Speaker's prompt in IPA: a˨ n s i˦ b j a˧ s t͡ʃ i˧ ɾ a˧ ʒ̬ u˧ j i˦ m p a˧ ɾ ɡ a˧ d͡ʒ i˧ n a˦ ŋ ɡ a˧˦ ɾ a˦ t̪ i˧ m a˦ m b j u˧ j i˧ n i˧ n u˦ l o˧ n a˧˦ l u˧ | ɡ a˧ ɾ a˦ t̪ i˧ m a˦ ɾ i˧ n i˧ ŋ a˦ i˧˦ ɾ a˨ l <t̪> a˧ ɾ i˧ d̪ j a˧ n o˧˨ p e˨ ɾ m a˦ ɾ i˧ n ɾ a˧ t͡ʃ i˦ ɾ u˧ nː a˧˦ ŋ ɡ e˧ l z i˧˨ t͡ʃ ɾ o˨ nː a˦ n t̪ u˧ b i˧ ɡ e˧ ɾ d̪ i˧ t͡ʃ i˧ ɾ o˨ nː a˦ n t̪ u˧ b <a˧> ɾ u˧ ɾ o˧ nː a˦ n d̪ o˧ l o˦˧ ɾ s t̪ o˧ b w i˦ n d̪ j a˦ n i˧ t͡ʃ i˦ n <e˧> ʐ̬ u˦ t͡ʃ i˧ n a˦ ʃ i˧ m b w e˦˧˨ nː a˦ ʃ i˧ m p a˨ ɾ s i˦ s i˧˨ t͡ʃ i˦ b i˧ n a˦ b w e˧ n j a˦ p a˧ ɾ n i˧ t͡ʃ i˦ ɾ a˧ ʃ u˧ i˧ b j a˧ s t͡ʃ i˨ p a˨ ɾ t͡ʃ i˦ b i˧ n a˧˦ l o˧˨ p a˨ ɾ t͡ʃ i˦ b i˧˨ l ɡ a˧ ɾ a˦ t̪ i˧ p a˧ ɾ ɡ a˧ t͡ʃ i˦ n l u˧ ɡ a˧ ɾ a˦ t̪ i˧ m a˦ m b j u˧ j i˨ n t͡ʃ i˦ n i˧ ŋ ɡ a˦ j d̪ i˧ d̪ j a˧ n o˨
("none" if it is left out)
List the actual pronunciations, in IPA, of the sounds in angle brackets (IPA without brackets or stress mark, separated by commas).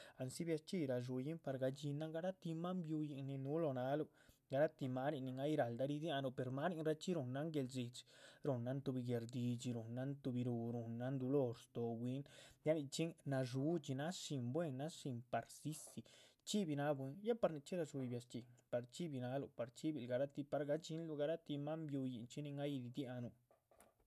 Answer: d̪, i˧, a˧